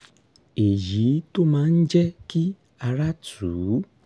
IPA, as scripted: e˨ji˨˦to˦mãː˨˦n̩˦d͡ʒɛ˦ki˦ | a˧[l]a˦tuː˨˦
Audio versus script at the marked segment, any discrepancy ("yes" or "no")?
yes